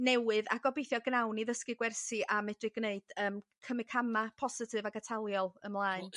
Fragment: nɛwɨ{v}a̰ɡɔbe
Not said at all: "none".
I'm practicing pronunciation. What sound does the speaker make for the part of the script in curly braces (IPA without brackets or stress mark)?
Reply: ð